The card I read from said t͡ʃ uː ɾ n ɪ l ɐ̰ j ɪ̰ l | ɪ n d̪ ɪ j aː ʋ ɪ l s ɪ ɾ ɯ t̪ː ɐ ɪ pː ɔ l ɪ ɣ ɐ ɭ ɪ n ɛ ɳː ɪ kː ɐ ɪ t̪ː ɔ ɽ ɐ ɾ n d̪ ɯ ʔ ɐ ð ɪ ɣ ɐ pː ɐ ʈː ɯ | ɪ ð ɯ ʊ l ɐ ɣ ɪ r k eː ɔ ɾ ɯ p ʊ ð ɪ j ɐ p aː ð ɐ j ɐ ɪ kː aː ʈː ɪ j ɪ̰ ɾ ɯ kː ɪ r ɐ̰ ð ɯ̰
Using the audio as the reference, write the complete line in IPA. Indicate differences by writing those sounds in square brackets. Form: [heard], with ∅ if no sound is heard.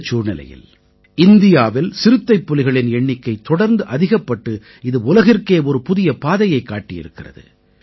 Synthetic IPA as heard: t͡ʃ uː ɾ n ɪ l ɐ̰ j ɪ̰ l | ɪ n d̪ ɪ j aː ʋ ɪ l s ɪ ɾ ɯ t̪ː ɐ ɪ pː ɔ l ɪ ɣ ɐ ɭ ɪ n ɛ ɳː ɪ kː ɐ ɪ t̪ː ɔ ɽ ɐ ɾ n d̪ ɯ ʔ ɐ ð ɪ ɣ ɐ pː ɐ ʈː ɯ | ɪ ð ɯ ʊ l ɐ ɣ ɪ r k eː ɔ ɾ ɯ p ʊ ð ɪ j ɐ p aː ð ɐ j ɐ ɪ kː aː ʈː ɪ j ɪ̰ ɾ ɯ kː ɪ r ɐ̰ ð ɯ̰

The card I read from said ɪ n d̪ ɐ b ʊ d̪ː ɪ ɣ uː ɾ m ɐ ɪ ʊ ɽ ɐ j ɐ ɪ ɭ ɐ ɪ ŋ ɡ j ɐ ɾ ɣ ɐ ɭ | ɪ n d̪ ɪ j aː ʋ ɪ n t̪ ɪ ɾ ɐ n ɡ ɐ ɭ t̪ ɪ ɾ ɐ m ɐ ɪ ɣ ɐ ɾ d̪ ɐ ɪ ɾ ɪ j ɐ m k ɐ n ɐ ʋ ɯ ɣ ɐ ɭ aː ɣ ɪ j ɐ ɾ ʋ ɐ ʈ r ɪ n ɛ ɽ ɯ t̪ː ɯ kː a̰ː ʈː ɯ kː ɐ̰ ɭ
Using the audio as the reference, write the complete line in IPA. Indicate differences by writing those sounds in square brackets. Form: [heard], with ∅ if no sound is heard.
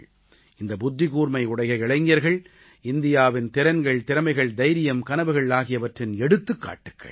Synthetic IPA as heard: ɪ n d̪ ɐ b ʊ d̪ː ɪ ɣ uː ɾ m ɐ ɪ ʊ ɽ ɐ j ɐ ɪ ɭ ɐ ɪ ŋ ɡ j ɐ ɾ ɣ ɐ ɭ | ɪ n d̪ ɪ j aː ʋ ɪ n t̪ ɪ ɾ ɐ n ɡ ɐ ɭ t̪ ɪ ɾ ɐ m ɐ ɪ ɣ ɐ [ɭ] d̪ ɐ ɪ ɾ ɪ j ɐ m k ɐ n ɐ ʋ ɯ ɣ ɐ ɭ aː ɣ ɪ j ɐ [∅] ʋ ɐ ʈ r ɪ n ɛ ɽ ɯ t̪ː ɯ kː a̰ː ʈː ɯ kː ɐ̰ ɭ

